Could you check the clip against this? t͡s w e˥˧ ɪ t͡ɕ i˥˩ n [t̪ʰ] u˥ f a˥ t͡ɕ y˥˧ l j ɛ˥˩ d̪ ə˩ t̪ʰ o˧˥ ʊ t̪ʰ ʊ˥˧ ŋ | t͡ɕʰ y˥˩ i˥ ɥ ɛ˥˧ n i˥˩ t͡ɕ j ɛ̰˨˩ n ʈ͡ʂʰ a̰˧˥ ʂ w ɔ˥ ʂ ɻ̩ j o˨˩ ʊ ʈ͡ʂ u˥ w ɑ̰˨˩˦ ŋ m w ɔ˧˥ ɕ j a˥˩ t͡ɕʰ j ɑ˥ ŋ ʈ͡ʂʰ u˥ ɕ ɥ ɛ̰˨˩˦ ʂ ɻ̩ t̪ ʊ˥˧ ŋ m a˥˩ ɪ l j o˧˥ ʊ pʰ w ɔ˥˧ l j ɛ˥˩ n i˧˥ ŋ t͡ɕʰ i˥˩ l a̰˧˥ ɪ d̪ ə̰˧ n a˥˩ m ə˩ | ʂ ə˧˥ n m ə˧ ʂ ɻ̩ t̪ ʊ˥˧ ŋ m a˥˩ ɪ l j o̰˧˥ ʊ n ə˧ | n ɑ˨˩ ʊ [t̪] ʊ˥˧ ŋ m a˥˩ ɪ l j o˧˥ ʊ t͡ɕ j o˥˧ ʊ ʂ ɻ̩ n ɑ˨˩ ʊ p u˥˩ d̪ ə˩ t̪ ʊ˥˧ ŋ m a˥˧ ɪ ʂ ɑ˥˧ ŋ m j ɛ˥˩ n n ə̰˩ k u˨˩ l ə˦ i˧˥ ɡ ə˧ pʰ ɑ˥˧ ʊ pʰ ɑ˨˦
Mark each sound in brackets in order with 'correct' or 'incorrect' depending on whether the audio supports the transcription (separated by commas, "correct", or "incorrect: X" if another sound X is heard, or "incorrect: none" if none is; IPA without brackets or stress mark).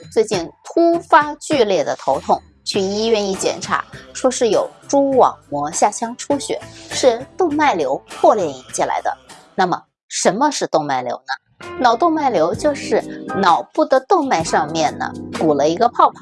correct, correct